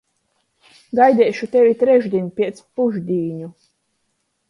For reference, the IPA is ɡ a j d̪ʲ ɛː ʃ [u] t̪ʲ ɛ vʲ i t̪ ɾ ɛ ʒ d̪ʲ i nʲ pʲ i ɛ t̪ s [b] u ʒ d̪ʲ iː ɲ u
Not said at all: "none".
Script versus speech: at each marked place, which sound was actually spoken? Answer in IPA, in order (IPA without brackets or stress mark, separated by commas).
u, p